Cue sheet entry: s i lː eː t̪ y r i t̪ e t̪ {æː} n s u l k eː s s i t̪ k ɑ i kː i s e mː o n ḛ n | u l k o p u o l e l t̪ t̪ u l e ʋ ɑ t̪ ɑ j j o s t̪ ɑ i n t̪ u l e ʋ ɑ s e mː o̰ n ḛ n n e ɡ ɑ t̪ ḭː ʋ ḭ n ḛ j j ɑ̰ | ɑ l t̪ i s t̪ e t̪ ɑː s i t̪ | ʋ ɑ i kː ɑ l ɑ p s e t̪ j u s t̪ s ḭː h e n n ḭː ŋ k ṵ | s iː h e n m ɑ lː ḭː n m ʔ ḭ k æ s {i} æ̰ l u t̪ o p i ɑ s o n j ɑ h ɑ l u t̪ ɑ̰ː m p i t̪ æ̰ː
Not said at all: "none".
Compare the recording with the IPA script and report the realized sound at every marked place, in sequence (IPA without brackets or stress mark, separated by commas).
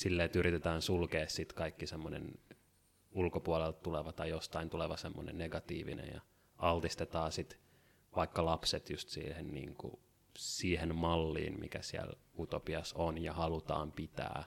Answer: æː, i